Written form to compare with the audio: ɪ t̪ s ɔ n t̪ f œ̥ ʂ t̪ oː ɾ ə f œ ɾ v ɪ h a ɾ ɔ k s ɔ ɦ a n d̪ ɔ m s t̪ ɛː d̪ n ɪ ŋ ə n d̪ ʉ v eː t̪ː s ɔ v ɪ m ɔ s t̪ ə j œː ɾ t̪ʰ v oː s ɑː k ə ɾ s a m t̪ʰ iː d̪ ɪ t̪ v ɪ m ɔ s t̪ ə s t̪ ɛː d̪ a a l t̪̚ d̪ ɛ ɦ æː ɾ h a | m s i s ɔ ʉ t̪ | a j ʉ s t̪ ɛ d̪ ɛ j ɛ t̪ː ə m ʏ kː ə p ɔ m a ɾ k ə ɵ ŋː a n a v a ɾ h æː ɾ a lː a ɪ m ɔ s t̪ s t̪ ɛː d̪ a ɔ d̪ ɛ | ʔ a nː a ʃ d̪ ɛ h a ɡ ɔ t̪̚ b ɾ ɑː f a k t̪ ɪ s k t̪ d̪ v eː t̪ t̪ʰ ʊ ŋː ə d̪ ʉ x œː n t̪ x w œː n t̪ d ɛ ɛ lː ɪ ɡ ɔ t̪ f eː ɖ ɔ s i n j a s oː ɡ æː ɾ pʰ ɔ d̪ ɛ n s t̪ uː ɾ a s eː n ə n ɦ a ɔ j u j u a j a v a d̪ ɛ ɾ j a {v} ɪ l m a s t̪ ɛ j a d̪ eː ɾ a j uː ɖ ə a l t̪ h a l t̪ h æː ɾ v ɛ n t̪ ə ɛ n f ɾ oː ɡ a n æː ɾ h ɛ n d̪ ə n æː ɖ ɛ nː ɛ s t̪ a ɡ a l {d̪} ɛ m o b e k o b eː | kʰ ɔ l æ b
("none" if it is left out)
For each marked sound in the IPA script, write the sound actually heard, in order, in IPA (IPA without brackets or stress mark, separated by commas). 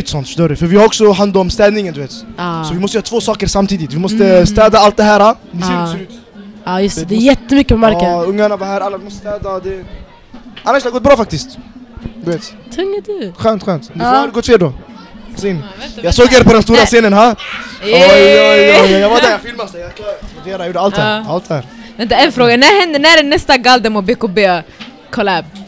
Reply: f, d̪